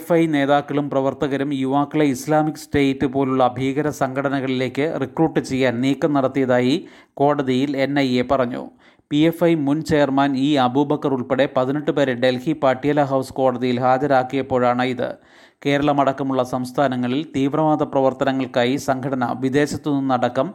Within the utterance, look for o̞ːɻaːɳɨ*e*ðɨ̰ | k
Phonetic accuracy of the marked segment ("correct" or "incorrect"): incorrect